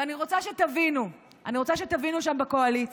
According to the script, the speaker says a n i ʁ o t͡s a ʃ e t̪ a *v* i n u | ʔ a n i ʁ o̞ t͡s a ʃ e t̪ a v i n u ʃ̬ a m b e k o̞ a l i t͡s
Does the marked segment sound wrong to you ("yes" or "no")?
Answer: no